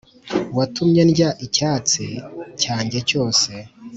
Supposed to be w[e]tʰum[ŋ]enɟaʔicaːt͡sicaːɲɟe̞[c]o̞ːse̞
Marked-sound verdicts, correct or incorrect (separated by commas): incorrect, incorrect, correct